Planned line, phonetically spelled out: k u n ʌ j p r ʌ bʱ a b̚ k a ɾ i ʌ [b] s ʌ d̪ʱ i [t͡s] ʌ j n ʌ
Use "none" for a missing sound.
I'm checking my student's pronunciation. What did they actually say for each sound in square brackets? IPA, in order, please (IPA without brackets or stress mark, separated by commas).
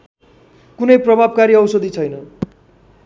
w, t͡sʰ